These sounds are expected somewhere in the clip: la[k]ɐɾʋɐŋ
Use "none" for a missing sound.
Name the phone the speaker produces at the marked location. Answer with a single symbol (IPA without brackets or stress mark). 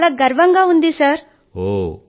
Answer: ɡ